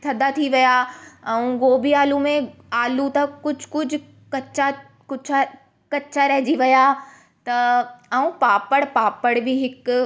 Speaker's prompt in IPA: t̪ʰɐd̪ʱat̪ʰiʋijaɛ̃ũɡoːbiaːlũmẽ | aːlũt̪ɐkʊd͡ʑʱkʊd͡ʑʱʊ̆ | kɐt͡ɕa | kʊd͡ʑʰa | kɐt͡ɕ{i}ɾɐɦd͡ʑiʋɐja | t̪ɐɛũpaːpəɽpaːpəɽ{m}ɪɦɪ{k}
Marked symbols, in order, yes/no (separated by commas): no, no, yes